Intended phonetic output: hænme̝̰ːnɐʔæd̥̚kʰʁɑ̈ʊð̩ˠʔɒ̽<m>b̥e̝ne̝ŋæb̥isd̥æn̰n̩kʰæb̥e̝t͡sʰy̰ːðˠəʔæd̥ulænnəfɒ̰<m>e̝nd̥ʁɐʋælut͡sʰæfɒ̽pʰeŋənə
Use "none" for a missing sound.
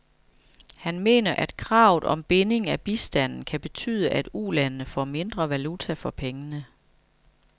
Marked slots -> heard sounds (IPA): m, m

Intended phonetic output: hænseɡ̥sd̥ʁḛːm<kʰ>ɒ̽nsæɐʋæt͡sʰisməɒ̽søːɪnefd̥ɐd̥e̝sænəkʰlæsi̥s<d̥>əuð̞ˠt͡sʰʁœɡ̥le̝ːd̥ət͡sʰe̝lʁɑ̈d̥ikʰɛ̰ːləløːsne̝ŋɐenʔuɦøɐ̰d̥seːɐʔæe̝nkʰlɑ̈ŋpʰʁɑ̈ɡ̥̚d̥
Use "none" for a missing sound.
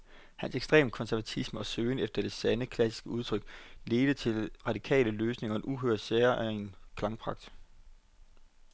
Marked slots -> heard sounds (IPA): kʰ, ɡ̥

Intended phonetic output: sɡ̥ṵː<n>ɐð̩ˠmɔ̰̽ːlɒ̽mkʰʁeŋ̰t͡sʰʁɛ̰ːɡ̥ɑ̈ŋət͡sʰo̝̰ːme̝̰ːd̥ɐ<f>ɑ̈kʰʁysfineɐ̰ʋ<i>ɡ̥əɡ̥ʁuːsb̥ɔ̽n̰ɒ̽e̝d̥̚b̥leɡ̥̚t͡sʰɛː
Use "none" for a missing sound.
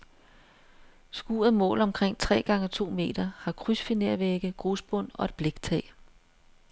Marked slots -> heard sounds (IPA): none, h, e

